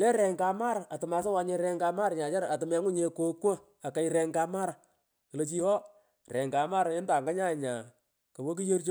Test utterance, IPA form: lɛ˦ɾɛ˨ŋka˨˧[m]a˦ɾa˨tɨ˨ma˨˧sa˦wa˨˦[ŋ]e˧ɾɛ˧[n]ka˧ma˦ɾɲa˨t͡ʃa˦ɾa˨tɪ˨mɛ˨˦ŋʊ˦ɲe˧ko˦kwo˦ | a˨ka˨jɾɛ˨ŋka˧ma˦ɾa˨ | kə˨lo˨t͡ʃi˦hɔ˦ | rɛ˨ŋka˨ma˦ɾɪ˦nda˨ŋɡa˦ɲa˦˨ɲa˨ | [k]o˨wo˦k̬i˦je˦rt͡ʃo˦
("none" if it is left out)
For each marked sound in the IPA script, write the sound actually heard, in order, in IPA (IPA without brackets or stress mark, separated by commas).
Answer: m, ɲ, ŋ, k